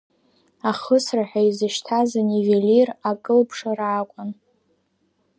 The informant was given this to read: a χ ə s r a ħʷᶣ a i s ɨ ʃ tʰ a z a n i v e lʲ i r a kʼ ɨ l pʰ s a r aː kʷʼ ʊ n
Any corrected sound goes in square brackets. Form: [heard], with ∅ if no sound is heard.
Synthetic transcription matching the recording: a χ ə s r a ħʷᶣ a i [z] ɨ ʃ tʰ a z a n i v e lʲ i r a kʼ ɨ l pʰ [ʂ] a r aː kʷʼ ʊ n